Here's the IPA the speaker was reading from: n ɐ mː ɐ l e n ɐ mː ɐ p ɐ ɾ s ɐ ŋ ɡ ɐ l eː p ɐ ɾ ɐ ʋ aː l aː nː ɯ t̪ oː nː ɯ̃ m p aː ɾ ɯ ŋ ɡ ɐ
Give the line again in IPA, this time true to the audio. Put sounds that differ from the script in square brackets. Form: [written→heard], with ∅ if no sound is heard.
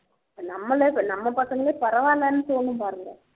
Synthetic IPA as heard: n ɐ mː ɐ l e n ɐ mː ɐ p ɐ [ɾ→∅] s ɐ ŋ ɡ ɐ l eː p ɐ ɾ ɐ ʋ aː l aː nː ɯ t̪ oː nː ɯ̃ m p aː ɾ ɯ ŋ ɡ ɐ